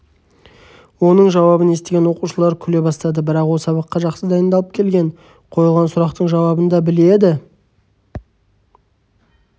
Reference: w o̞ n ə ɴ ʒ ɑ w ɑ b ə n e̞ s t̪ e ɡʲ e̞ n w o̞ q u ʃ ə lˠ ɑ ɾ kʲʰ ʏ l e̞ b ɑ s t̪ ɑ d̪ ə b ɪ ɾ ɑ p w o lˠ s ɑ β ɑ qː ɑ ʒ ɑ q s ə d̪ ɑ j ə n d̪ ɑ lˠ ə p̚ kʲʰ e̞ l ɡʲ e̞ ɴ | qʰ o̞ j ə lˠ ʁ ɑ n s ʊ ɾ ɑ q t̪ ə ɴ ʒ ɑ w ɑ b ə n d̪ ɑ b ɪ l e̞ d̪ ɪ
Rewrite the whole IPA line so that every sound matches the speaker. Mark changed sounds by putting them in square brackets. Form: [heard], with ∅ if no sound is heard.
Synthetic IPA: w o̞ n ə ɴ ʒ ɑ w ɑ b ə n e̞ s t̪ e ɡʲ e̞ n w o̞ q u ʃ ə lˠ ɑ ɾ kʲʰ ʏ l e̞ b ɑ s t̪ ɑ d̪ ə b ɪ ɾ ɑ [q] w o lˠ s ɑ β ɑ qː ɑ ʒ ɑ q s ə d̪ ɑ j ə n d̪ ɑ lˠ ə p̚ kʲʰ e̞ l ɡʲ e̞ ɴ | qʰ o̞ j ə lˠ ʁ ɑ n s ʊ ɾ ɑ q t̪ ə ɴ ʒ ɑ w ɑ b ə n d̪ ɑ b ɪ l e̞ d̪ ɪ